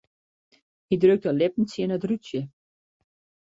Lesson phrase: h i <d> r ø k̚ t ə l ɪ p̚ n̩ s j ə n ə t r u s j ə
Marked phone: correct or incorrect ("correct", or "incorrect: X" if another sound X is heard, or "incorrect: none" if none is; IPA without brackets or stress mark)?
correct